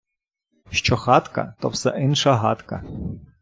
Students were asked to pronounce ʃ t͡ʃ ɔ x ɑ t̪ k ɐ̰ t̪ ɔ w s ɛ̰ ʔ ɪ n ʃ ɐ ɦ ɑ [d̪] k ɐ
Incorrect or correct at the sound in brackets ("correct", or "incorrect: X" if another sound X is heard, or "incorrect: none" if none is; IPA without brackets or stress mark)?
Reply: incorrect: t̪